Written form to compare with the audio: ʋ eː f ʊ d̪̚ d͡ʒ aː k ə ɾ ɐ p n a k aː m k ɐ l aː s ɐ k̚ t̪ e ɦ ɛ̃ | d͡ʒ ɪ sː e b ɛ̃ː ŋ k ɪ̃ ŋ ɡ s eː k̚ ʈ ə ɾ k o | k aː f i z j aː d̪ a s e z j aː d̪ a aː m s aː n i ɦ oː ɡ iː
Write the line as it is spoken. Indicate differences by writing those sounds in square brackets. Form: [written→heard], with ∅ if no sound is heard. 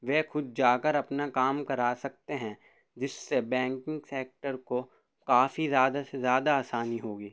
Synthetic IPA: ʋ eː [f→x] ʊ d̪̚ d͡ʒ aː k ə ɾ ɐ p n a k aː m k ɐ [l→ɾ] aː s ɐ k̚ t̪ e ɦ ɛ̃ | d͡ʒ ɪ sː e b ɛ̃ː ŋ k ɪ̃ ŋ ɡ s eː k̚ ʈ ə ɾ k o | k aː f i z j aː d̪ a s e z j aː d̪ a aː [m→∅] s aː n i ɦ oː ɡ iː